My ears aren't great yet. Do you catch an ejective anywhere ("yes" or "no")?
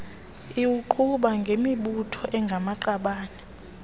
no